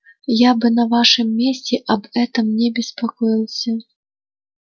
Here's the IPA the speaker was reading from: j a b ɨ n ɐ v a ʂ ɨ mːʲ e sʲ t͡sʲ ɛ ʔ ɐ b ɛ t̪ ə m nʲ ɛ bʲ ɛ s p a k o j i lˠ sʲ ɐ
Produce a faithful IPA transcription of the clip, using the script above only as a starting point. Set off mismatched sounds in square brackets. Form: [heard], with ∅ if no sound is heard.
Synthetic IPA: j a b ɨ n ɐ v a ʂ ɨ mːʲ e sʲ t͡sʲ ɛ ʔ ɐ b ɛ t̪ [ɐ] m nʲ ɛ bʲ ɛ s p a k [ɔ] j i lˠ sʲ ɐ